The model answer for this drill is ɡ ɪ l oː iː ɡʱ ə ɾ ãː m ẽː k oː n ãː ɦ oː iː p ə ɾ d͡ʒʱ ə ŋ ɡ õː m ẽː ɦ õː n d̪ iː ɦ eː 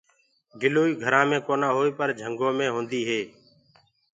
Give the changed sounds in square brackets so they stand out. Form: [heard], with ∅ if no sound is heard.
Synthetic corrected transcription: ɡ ɪ l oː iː ɡʱ ə ɾ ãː m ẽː k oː n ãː ɦ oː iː p ə ɾ d͡ʒʱ ə ŋ ɡ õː m ẽː ɦ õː n d̪ iː ɦ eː